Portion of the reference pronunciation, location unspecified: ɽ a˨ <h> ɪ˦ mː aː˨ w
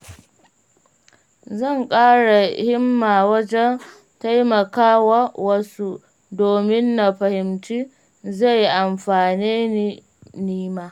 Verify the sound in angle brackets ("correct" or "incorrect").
correct